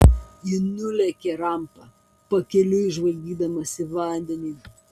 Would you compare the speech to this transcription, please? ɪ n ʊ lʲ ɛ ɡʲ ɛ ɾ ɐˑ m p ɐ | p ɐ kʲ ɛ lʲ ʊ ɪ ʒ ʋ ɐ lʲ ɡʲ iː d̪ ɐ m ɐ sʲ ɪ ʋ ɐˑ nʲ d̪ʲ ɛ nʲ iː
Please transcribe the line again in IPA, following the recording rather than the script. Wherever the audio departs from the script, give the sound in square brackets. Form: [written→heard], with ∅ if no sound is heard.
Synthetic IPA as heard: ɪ n ʊ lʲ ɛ [ɡʲ→kʲ] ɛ ɾ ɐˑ m p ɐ | p ɐ kʲ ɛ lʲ ʊ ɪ ʒ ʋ ɐ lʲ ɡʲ iː d̪ ɐ m ɐ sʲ ɪ ʋ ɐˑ nʲ d̪ʲ ɛ nʲ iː